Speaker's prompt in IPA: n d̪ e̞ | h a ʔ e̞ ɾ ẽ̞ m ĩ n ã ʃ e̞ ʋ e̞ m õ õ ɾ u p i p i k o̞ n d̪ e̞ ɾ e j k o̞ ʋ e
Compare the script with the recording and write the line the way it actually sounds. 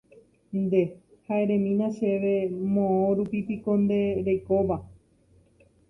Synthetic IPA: n d̪ e̞ | h a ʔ e̞ ɾ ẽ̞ m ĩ n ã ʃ e̞ ʋ e̞ m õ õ ɾ u p i p i k o̞ n d̪ e̞ ɾ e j k o̞ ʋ a